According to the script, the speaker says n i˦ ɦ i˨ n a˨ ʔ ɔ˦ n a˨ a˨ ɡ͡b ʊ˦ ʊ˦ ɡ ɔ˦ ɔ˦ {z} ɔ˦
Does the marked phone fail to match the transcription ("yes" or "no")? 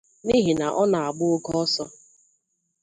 yes